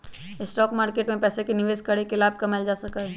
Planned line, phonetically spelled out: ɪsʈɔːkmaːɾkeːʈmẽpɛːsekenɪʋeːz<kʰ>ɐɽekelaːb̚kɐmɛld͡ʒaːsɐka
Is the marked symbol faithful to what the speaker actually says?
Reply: no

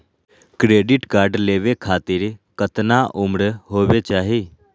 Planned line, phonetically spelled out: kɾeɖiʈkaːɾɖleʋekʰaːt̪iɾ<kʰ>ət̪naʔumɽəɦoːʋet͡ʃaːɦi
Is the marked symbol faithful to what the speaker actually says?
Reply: no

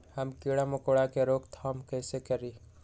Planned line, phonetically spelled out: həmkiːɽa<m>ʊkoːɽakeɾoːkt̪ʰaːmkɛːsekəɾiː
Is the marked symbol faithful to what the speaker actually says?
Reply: yes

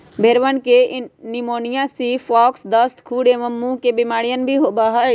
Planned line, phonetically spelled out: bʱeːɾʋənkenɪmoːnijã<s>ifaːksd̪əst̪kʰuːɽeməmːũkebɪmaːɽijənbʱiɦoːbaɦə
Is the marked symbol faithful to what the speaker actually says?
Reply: yes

